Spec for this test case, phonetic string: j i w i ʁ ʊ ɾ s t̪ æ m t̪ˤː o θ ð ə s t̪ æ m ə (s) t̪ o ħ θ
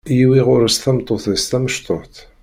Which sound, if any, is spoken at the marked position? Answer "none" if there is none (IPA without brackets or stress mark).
ʃ